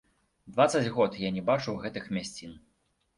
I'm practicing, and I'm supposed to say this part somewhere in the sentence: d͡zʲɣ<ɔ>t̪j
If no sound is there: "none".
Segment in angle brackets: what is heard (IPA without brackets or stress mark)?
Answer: ɔ